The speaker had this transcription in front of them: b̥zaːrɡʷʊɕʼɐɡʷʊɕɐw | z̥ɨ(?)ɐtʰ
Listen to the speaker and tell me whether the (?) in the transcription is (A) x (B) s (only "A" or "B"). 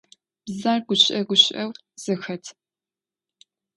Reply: A